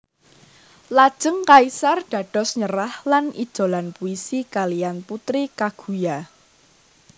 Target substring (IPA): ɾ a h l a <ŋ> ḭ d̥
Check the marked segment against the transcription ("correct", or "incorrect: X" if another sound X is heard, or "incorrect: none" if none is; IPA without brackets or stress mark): incorrect: n